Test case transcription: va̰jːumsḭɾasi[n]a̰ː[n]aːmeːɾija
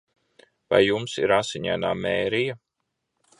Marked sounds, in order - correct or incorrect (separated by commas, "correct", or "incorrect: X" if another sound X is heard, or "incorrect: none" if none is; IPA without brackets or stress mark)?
incorrect: ɲ, correct